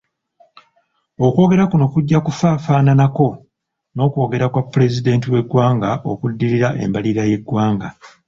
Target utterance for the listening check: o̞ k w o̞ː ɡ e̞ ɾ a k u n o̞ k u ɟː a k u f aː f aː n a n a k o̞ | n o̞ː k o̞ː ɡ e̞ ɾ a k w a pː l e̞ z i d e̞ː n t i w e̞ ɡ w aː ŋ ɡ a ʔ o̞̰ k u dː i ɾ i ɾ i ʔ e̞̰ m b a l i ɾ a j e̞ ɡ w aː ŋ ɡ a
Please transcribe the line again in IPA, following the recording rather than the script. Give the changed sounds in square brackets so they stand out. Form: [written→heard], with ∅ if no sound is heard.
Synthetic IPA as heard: o̞ k w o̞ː ɡ e̞ ɾ a k u n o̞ k u ɟː a k u f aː f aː n a n a k o̞ | n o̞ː k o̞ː ɡ e̞ ɾ a k w a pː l e̞ z i d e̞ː n t i w e̞ ɡ w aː ŋ ɡ a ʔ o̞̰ k u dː i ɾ i ɾ [i→a] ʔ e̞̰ m b a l i ɾ a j e̞ ɡ w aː ŋ ɡ a